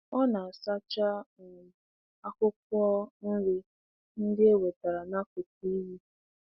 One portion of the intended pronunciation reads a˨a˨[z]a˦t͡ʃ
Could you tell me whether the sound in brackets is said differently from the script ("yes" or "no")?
yes